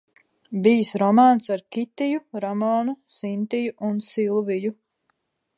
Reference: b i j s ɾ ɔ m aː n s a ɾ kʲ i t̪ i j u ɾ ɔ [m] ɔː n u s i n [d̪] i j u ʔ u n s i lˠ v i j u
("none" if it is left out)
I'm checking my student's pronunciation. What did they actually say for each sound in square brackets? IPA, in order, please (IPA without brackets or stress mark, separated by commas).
m, t̪